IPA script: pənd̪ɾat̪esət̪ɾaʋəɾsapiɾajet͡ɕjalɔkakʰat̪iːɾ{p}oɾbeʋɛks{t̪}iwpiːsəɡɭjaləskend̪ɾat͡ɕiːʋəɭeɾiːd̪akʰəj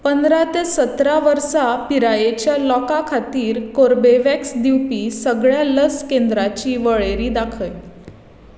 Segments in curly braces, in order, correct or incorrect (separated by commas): incorrect, incorrect